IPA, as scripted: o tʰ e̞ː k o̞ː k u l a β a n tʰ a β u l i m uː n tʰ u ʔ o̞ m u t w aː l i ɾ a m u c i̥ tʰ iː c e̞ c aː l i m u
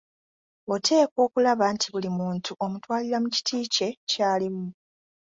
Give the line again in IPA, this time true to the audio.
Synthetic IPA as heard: o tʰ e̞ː k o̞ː k u l a β a n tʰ i β u l i m uː n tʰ u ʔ o̞ m u t w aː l i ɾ a m u c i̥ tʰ iː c e̞ c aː l i m u